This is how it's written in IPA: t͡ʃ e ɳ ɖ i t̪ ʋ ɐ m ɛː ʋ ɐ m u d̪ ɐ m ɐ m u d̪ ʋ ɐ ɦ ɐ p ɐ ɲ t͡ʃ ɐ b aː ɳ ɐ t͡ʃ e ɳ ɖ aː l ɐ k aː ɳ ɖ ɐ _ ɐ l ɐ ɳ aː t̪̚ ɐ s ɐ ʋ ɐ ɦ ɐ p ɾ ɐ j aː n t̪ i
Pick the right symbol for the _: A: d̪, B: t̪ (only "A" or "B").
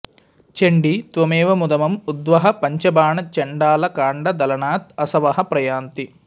A